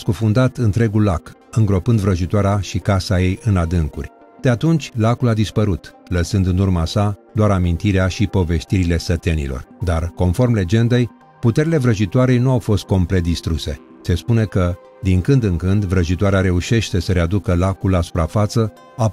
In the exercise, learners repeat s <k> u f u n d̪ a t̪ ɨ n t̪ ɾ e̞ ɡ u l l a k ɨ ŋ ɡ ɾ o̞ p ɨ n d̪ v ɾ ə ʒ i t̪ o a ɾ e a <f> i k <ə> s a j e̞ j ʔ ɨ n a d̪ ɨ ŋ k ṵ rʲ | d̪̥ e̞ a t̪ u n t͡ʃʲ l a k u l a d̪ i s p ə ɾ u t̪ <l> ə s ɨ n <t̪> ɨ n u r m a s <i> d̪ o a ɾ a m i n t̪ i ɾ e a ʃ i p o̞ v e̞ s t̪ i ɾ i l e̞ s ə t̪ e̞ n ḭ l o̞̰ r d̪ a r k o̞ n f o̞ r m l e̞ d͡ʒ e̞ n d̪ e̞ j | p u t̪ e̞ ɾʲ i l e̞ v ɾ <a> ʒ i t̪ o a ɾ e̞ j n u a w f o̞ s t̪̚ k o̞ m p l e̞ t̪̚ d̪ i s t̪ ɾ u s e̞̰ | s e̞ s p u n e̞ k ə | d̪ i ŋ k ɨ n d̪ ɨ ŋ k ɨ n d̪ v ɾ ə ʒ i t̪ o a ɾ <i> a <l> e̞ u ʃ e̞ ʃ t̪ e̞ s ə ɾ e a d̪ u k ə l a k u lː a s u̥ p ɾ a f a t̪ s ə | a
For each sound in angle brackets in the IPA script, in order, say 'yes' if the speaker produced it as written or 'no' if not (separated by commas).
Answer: yes, no, no, yes, no, no, no, no, no